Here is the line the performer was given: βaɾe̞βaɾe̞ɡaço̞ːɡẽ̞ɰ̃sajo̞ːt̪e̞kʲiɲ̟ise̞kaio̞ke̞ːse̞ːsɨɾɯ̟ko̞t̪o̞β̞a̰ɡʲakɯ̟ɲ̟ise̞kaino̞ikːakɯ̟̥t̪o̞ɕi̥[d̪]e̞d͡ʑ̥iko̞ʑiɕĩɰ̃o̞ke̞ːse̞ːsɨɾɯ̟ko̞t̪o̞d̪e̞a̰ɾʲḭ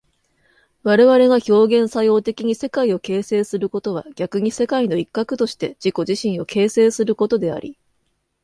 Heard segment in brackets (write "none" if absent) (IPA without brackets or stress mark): t̪